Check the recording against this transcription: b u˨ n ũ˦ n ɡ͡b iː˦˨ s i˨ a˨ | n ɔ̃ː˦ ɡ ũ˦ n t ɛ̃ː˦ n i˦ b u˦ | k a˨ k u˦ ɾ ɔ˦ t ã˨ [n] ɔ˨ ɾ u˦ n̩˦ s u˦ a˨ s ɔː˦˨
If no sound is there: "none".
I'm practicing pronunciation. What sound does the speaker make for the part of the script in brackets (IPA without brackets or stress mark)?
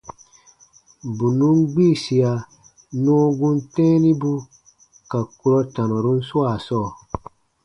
n